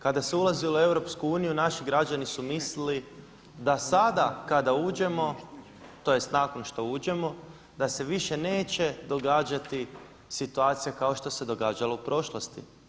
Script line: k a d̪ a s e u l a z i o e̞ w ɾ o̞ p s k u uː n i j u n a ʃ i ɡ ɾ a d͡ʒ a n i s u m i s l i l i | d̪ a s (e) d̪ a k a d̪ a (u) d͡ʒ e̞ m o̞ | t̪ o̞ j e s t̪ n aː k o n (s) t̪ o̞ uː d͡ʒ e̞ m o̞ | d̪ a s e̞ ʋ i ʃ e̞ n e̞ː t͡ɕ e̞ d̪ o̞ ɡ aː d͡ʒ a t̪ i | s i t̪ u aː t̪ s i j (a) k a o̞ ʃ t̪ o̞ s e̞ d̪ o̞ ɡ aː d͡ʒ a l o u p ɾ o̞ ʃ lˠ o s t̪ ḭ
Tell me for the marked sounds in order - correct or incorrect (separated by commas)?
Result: incorrect, incorrect, incorrect, correct